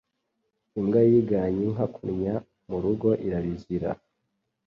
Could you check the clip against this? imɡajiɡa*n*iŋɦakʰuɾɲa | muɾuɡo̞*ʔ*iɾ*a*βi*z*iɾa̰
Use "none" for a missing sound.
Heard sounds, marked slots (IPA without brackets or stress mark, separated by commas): ɲ, ʔ, a, z